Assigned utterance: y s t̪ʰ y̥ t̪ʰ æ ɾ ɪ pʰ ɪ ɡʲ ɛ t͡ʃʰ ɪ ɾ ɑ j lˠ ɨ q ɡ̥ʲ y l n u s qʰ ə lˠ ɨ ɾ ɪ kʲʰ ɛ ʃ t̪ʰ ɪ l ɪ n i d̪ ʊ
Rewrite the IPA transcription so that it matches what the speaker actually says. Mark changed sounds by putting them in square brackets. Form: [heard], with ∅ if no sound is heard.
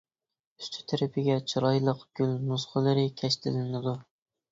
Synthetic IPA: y s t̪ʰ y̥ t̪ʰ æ ɾ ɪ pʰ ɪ ɡʲ ɛ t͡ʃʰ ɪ ɾ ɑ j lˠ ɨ q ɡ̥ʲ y l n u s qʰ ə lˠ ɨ ɾ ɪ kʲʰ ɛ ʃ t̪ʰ ɪ l ɪ n [ɪ] d̪ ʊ

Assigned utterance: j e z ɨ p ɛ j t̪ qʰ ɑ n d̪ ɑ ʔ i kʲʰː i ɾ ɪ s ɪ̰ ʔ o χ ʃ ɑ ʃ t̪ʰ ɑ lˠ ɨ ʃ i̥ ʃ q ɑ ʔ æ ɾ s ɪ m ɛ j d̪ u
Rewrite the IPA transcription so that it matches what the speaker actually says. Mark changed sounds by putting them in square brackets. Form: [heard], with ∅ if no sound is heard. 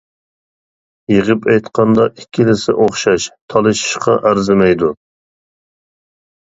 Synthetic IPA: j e [ʁ] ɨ p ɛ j t̪ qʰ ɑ n d̪ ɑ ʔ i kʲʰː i [l] ɪ s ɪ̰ ʔ o χ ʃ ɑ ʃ t̪ʰ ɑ lˠ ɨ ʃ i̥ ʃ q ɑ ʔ æ ɾ [z] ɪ m ɛ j d̪ u

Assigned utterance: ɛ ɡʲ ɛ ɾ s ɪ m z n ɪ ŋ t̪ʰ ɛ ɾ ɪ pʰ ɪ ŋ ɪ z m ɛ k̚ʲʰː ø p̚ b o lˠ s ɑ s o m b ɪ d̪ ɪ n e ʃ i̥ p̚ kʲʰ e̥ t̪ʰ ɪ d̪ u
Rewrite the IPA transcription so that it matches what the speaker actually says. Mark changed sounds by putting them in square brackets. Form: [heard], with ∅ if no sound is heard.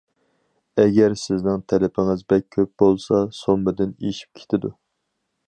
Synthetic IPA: ɛ ɡʲ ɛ ɾ s ɪ [∅] z n ɪ ŋ t̪ʰ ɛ [l] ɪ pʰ ɪ ŋ ɪ z [b] ɛ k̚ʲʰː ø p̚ b o lˠ s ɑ s o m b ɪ d̪ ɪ n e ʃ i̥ p̚ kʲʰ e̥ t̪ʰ ɪ d̪ u

